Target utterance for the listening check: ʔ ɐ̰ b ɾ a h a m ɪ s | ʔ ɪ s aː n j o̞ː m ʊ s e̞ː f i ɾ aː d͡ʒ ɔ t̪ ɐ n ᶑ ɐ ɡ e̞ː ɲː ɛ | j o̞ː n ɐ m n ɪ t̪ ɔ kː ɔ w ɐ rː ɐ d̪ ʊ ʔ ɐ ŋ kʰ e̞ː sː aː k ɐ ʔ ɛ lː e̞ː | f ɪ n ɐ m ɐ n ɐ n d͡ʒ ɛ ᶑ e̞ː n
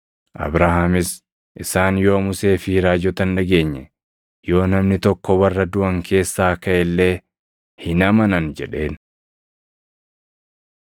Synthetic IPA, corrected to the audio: ʔ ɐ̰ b ɾ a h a m ɪ s | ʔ ɪ s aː n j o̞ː m ʊ s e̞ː f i ɾ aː d͡ʒ ɔ t̪ ɐ n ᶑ ɐ ɡ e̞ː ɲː ɛ | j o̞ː n ɐ m n ɪ t̪ ɔ kː ɔ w ɐ rː ɐ d̪ ʊ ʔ ɐ ŋ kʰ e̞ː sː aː k ɐ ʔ ɛ lː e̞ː | h ɪ n ɐ m ɐ n ɐ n d͡ʒ ɛ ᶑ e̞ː n